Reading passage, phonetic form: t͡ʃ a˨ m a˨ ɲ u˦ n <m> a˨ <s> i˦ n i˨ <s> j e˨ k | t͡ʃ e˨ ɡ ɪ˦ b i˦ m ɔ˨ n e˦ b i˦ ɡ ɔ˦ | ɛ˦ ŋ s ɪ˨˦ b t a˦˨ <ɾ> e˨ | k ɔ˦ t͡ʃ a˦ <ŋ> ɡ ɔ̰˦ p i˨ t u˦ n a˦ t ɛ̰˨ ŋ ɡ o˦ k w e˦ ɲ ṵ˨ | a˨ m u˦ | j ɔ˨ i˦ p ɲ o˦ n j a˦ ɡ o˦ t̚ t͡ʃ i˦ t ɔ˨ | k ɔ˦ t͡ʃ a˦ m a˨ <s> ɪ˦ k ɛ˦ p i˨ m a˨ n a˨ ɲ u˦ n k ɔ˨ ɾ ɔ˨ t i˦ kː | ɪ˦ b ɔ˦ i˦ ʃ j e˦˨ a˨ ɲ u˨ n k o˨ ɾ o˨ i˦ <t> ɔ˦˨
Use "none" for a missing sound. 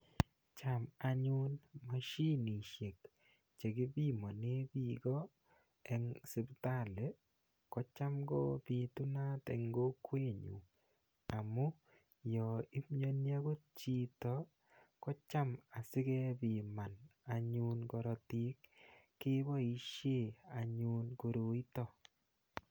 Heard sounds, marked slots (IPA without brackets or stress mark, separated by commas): m, ʃ, ʃ, l, m, s, t